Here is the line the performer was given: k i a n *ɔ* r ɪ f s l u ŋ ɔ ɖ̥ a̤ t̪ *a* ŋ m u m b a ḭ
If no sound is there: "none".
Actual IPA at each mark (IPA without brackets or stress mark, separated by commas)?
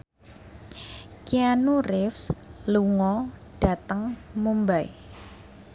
u, ə